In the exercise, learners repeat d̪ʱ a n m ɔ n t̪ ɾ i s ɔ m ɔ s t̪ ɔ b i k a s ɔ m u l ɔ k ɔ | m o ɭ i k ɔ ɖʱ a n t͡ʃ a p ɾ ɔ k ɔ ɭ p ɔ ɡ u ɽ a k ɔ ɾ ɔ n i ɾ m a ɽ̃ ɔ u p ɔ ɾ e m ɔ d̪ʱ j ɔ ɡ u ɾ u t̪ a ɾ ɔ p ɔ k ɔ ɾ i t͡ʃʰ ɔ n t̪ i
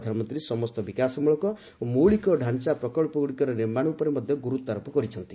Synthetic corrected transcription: d̪ʱ a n m ɔ n t̪ ɾ i s ɔ m ɔ s t̪ ɔ b i k a s ɔ m u ɭ ɔ k ɔ | m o ɭ i k ɔ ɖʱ a n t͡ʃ a p ɾ ɔ k ɔ ɭ p ɔ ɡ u ɽ i k ɔ ɾ ɔ n i ɾ m a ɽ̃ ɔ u p ɔ ɾ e m ɔ d̪ʱ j ɔ ɡ u ɾ u t̪ a ɾ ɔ p ɔ k ɔ ɾ i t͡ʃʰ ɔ n t̪ i